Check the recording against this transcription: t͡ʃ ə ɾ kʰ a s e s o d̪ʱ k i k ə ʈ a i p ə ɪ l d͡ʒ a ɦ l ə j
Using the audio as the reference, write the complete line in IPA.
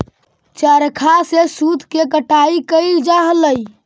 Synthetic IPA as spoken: t͡ʃ ə ɾ kʰ a s e s u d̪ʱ k e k ə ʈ a i k ə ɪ l d͡ʒ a ɦ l ə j